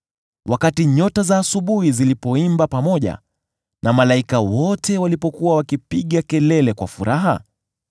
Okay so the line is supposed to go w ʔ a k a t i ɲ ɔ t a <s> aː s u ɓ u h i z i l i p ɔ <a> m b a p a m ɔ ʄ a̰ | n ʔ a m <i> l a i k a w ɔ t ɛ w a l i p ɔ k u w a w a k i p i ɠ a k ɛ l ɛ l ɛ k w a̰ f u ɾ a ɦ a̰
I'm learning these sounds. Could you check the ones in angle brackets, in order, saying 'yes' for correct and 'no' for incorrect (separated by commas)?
no, no, no